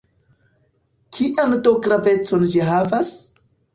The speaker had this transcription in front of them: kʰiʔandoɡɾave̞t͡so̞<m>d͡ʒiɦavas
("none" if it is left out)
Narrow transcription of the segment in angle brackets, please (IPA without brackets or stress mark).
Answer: n